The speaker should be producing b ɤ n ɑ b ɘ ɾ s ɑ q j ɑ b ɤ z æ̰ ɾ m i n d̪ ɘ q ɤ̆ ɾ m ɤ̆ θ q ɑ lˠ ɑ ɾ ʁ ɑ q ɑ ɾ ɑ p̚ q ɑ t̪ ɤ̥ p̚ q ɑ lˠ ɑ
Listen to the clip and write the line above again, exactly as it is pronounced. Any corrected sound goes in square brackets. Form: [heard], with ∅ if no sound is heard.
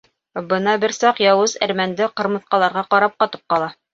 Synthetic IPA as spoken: b ɤ n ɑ b ɘ ɾ s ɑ q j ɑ [w] ɤ z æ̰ ɾ m [æ] n d̪ ɘ q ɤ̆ ɾ m ɤ̆ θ q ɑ lˠ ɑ ɾ ʁ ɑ q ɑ ɾ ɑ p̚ q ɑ t̪ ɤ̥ p̚ q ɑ lˠ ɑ